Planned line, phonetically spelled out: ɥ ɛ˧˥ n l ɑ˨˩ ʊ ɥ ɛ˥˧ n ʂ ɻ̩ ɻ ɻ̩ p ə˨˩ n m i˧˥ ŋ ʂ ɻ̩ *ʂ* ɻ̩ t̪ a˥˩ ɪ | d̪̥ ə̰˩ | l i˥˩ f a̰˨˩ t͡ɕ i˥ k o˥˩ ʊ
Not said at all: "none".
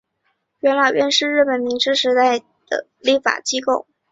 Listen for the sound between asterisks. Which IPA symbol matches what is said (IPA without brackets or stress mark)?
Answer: ʂ